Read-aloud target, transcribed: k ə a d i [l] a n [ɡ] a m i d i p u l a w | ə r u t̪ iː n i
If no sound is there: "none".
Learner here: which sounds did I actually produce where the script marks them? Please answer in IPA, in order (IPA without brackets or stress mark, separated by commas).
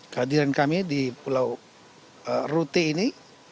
ɾ, k